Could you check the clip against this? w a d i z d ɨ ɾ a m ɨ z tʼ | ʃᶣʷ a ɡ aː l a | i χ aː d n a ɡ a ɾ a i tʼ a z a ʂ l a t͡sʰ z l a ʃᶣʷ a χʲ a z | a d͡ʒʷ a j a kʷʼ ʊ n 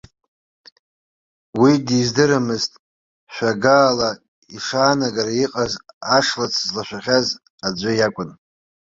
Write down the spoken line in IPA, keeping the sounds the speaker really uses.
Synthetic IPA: w i d i z d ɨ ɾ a m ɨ z tʼ | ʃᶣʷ a ɡ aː l a | i ʂ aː n a ɡ a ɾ a i qʼ a z a ʂ l a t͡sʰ z l a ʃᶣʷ a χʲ a z | a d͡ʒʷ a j a kʷʼ ʊ n